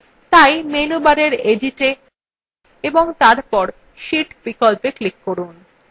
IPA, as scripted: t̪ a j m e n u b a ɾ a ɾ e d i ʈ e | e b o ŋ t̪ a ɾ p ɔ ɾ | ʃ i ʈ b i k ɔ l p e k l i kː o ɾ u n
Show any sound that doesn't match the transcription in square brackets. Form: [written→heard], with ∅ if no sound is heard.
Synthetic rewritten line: t̪ a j m e n u b a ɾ [a→e] ɾ e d i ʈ e | e b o ŋ t̪ a ɾ p ɔ ɾ | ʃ i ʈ b i k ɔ l p e k l i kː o ɾ u n